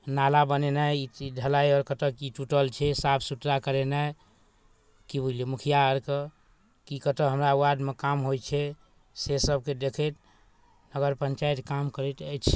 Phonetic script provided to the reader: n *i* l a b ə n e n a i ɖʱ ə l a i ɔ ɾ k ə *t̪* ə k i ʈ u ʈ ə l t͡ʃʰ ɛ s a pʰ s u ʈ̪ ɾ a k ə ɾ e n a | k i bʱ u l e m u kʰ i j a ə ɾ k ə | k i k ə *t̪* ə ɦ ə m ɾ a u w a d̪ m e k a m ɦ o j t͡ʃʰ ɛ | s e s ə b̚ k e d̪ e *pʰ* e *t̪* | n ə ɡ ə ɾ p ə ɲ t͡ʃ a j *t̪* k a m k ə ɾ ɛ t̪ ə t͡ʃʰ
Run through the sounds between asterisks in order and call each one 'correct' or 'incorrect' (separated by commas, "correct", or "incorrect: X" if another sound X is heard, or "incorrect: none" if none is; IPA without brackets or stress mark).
incorrect: a, correct, correct, incorrect: kʰ, correct, correct